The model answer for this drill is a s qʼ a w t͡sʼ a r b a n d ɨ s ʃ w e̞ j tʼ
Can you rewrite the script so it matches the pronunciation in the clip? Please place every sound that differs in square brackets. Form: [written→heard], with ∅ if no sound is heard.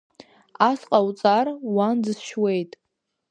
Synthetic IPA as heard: a s qʼ a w t͡sʼ a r [b→w] a n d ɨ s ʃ w e̞ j tʼ